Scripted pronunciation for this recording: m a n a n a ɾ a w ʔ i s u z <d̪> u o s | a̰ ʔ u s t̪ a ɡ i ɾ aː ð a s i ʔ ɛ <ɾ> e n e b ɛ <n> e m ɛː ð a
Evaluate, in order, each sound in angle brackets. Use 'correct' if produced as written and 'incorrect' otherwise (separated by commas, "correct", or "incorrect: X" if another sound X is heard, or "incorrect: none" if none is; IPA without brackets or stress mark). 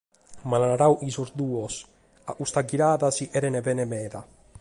correct, correct, correct